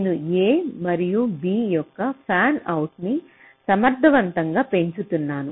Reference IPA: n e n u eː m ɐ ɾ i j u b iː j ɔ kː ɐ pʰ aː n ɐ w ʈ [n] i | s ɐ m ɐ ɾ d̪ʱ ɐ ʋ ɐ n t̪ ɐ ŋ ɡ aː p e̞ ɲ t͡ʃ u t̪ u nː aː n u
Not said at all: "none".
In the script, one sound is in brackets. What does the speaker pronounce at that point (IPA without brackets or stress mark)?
n